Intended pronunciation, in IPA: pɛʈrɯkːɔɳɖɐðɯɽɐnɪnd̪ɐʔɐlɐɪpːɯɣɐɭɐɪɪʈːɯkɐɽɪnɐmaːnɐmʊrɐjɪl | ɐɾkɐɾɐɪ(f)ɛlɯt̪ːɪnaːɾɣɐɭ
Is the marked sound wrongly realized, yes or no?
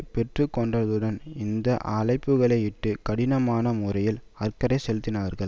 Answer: yes